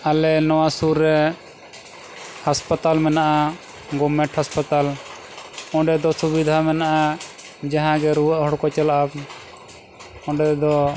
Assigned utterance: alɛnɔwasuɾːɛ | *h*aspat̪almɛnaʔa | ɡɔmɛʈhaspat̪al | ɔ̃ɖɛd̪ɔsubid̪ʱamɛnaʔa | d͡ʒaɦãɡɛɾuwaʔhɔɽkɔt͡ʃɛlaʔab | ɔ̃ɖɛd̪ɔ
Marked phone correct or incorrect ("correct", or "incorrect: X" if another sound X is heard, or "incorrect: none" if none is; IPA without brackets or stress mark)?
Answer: correct